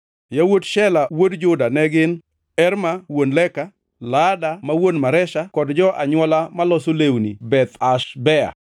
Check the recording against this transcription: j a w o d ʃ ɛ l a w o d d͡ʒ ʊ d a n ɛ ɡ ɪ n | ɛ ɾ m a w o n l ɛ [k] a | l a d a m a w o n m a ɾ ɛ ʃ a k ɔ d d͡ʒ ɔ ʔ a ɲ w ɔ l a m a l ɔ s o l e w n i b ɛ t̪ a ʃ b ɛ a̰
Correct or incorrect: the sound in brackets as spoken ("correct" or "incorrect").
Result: correct